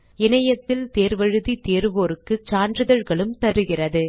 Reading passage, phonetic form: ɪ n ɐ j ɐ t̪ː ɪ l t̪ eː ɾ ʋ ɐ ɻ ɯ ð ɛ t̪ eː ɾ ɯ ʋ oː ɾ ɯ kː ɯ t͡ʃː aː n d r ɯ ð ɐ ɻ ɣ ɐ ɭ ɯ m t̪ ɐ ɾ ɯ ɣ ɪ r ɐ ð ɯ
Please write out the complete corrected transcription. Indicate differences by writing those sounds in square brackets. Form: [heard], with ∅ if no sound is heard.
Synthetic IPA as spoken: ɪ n ɐ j ɐ t̪ː ɪ l t̪ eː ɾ ʋ ɐ ɻ ɯ ð [i] t̪ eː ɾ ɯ ʋ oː ɾ ɯ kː ɯ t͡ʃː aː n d r ɯ ð ɐ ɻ ɣ ɐ ɭ ɯ m t̪ ɐ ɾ ɯ ɣ ɪ r ɐ ð ɯ